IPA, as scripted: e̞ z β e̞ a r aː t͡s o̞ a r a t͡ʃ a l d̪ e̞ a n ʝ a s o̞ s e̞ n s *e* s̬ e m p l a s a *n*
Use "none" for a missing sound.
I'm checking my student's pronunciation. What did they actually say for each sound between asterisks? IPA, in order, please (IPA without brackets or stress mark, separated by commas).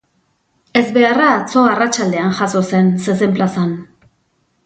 e, n